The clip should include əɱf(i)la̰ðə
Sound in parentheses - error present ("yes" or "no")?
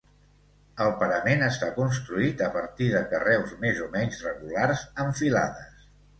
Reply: no